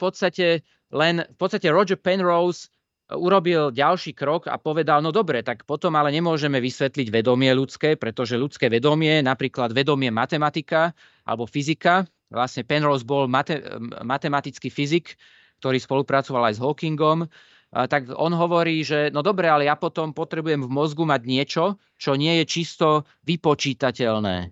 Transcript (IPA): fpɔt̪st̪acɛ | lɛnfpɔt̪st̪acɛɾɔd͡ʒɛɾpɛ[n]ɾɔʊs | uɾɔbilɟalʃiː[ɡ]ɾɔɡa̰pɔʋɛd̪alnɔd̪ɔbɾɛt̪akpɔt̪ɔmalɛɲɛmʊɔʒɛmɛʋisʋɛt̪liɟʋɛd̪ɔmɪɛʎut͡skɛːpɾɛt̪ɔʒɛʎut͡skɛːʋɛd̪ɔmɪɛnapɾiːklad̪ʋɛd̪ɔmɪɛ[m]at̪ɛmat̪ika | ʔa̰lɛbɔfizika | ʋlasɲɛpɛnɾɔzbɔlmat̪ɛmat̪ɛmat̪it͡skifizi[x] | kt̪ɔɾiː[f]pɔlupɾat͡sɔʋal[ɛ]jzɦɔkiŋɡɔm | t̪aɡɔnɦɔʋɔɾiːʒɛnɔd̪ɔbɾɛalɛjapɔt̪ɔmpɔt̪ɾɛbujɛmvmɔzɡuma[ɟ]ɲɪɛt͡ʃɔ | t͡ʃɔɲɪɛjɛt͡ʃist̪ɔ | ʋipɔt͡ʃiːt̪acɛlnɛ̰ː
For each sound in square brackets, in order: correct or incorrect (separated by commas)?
correct, incorrect, correct, incorrect, incorrect, incorrect, correct